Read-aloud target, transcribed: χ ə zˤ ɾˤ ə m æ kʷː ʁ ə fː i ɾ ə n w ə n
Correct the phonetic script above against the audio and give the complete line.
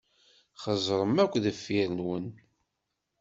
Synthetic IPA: χ ə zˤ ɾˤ ə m æ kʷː ð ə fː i ɾ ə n w ə n